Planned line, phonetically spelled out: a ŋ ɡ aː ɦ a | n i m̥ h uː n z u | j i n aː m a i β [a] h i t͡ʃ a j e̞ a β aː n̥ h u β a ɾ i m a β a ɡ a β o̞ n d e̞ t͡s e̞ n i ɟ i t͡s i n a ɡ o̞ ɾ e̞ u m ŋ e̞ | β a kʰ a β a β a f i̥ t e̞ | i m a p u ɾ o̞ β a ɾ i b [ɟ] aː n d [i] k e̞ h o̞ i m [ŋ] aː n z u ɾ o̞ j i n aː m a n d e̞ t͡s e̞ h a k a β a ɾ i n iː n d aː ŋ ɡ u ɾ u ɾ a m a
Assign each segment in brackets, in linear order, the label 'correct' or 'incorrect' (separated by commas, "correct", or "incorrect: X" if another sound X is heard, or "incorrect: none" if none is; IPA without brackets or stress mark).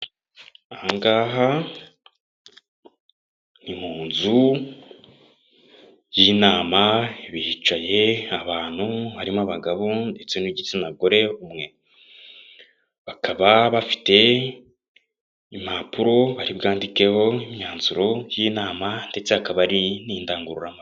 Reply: incorrect: i, incorrect: ɡ, correct, incorrect: ɲ